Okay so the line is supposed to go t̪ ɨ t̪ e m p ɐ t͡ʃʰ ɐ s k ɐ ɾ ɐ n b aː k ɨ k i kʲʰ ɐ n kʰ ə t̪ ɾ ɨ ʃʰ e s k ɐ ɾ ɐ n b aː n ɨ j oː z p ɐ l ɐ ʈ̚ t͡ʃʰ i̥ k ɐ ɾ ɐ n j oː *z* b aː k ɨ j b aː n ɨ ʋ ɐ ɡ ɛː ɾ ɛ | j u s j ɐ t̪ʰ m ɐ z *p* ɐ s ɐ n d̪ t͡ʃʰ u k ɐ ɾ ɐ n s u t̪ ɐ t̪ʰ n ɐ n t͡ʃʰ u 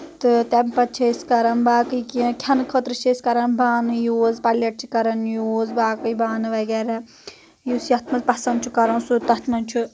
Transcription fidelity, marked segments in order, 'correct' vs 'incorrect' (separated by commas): correct, correct